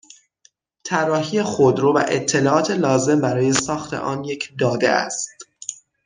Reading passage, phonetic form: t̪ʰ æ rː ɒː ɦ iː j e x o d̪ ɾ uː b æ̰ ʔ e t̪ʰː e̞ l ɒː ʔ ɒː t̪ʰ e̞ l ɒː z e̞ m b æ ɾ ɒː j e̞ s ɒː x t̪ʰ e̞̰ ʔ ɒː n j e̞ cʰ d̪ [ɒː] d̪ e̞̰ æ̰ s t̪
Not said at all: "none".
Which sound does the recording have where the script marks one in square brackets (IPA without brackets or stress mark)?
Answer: ɒː